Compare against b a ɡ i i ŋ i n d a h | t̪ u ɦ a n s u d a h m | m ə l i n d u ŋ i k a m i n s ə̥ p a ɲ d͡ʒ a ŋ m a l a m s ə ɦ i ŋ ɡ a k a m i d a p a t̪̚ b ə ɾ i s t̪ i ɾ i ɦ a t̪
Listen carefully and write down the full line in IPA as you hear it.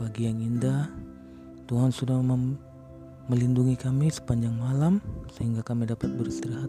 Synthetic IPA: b a ɡ i a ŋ i n d a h | t̪ u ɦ a n s u d a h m | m ə l i n d u ŋ i k a m i s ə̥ p a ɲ d͡ʒ a ŋ m a l a m s ə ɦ i ŋ ɡ a k a m i d a p a t̪̚ b ə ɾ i s t̪ i ɾ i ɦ a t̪